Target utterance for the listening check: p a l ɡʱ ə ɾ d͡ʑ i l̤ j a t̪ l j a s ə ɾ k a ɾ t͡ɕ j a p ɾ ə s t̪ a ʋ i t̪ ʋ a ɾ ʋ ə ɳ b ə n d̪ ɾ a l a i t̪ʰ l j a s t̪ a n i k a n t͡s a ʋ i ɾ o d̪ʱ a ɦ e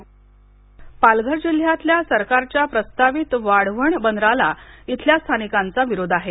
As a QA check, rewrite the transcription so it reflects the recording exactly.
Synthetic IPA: p a l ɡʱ ə ɾ d͡ʑ i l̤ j a t̪ l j a s ə ɾ k a ɾ t͡ɕ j a p ɾ ə s t̪ a ʋ i t̪ ʋ a ɽ ʋ ə ɳ b ə n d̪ ɾ a l a i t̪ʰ l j a s t̪ʰ a n i k a n t͡s a ʋ i ɾ o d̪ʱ a ɦ e